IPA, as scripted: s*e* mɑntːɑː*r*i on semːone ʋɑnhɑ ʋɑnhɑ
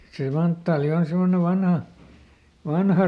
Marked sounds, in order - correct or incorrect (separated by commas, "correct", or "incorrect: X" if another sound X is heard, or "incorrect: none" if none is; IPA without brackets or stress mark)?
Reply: correct, incorrect: l